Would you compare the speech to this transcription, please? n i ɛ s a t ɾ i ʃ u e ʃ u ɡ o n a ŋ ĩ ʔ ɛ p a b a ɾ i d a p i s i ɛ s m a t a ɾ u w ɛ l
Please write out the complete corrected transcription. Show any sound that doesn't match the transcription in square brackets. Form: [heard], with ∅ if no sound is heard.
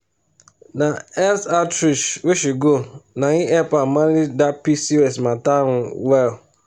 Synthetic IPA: n [a] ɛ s a t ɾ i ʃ [w] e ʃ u ɡ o n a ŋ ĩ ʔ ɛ p a [m] a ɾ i d a p i s i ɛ s m a t a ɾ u w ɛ l

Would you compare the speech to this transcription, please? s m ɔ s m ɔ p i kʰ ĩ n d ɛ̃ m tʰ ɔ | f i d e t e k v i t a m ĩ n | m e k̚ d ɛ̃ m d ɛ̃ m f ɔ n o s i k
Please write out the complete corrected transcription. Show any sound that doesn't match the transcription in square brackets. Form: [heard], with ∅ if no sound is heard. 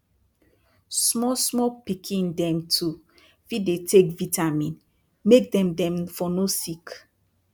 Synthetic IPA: s m ɔ s m ɔ p i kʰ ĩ n d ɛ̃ m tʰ [u] | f i d e t e k v i t a m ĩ n | m e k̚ d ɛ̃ m d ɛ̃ m f ɔ n o s i k

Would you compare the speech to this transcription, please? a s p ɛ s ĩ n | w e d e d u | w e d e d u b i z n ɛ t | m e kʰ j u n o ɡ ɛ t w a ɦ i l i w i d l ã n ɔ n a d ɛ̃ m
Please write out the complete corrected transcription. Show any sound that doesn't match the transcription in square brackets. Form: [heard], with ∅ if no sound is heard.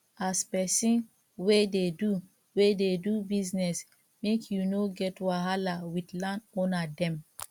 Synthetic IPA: a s p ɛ s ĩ n | w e d e d u | w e d e d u b i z n ɛ [s] | m e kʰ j u n o ɡ ɛ t w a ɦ [a] l [a] w i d l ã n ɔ n a d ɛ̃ m

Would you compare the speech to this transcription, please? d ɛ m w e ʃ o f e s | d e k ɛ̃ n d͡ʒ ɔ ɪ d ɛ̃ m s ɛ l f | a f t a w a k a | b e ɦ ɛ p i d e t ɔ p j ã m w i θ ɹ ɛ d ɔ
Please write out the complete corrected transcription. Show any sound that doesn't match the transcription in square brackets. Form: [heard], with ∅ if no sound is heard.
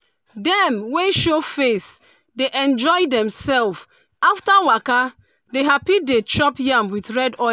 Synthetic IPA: d ɛ m w e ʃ o f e s | d e [ʔ] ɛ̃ n d͡ʒ ɔ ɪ d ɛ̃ m s ɛ l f | a f t a w a k a | [d] e ɦ [a] p i d e [t͡ʃ] ɔ p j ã m w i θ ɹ ɛ d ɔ

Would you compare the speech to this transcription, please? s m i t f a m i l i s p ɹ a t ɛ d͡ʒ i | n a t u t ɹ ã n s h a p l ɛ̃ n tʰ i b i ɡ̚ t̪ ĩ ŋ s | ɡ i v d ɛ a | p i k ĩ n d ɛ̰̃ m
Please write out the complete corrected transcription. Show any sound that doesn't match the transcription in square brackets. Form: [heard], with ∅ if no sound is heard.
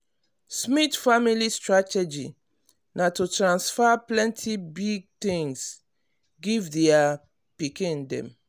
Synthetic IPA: s m i t f a m i l i s [t] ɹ a t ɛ d͡ʒ i | n a t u t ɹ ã n s [f] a p l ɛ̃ n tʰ i b i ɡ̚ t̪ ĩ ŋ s | ɡ i v d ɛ a | p i k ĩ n d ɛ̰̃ m

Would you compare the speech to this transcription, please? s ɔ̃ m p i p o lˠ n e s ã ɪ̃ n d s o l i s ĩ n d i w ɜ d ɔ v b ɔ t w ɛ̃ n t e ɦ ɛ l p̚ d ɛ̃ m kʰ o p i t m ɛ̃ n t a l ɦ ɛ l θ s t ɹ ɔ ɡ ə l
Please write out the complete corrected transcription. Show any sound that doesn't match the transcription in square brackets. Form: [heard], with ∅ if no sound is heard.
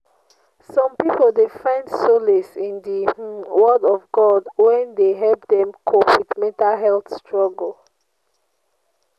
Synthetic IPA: s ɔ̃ m p i p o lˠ [d] e [f] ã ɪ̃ n d s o l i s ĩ n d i w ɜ d ɔ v [ɡ] ɔ [d] w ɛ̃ n [d] e ɦ ɛ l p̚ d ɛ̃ m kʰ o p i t m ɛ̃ n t a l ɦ ɛ l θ s t ɹ ɔ ɡ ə l

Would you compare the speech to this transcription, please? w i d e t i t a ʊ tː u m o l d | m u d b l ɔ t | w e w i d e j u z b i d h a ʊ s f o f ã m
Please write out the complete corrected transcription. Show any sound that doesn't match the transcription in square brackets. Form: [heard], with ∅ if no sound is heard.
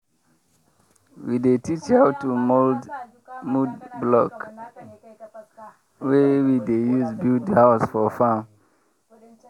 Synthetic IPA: w i d e t i [t͡ʃ] a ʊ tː u m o l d | m u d b l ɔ [k] | w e w i d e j u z b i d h a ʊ s f [ɔ] f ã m

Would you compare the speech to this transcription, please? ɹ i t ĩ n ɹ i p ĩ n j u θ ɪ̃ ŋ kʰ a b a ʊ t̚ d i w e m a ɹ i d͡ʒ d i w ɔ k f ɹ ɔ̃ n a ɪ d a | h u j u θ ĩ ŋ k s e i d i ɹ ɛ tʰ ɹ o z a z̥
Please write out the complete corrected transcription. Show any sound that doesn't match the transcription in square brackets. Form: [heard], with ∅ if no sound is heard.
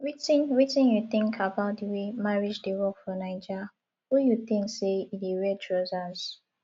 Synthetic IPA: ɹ i t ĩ n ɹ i [t] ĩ n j u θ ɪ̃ ŋ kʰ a b a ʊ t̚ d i w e m a ɹ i d͡ʒ d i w ɔ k f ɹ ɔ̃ n a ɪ [d͡ʒ] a | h u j u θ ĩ ŋ k s e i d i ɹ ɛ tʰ ɹ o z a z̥

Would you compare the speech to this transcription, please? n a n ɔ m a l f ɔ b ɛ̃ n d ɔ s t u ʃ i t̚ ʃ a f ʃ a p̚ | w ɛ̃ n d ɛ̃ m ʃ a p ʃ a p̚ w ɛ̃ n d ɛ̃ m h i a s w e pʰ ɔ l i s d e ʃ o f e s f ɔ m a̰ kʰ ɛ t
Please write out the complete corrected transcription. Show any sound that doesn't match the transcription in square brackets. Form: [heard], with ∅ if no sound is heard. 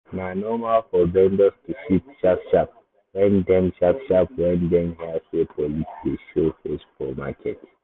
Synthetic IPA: n a n ɔ m a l f ɔ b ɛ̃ n d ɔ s t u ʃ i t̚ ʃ a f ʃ a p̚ | w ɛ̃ n d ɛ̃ m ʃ a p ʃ a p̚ w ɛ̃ n d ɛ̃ m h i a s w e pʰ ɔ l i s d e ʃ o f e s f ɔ m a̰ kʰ ɛ t

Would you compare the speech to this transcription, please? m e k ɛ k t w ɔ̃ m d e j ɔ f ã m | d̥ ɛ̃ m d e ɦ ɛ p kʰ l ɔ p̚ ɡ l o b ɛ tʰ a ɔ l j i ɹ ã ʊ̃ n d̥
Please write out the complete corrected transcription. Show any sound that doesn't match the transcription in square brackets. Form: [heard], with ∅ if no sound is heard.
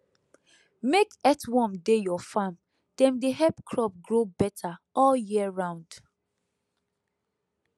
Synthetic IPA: m e k ɛ [∅] t w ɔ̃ m d e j ɔ f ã m | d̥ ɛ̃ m d e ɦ ɛ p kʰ [ɹ] ɔ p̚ ɡ [ɹ] o b ɛ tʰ a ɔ l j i ɹ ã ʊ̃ n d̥

